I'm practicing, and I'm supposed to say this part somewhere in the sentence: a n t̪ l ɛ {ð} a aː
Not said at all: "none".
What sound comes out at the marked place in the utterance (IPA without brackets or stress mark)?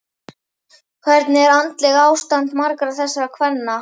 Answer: ɣ